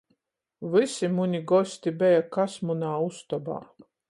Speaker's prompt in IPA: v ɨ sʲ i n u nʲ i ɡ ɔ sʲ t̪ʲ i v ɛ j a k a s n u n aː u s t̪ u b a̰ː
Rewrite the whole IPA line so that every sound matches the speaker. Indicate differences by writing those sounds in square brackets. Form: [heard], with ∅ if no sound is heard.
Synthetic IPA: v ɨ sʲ i [m] u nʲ i ɡ ɔ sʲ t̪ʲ i [b] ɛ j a k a s [m] u n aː u s t̪ [ɔ] b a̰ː